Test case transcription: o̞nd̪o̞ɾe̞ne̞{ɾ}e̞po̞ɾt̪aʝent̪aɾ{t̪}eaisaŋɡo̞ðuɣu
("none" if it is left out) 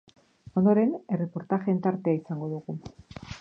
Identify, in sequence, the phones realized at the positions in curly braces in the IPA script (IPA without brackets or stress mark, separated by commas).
r, t̪